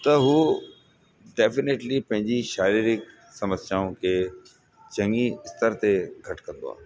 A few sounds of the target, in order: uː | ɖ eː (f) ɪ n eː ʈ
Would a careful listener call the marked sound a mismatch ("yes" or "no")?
no